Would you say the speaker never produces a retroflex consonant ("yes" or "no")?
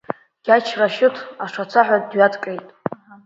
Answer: no